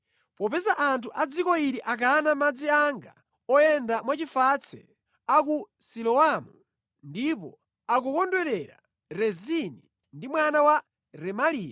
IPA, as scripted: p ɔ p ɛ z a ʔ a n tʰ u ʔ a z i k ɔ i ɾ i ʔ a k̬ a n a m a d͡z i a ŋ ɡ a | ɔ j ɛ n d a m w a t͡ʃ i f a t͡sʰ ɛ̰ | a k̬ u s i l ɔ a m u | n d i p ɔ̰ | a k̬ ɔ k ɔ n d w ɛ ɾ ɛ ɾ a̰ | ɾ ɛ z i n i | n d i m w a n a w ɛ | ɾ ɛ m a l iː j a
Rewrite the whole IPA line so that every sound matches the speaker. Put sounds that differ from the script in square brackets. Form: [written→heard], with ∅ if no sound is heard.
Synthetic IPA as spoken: p ɔ p ɛ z a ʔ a n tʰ u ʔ a [z→d͡z] i k ɔ i ɾ i ʔ a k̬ a n a m a d͡z i a ŋ ɡ a | ɔ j ɛ n d a m w a t͡ʃ i f a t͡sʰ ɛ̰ | a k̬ u s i l ɔ a m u | n d i p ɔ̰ | a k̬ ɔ k ɔ n d w ɛ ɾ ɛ ɾ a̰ | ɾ ɛ z i n i | n d i m w a n a w [ɛ→a] | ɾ ɛ m a l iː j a